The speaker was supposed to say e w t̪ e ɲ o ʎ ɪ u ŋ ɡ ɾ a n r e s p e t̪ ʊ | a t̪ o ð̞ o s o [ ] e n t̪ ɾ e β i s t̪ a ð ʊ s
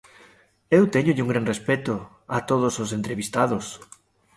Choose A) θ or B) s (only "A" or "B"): B